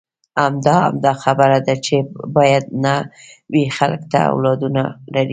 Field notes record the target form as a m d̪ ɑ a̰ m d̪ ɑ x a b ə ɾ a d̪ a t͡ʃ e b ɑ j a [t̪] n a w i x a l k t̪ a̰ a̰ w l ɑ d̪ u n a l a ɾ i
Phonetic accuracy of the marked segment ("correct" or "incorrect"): incorrect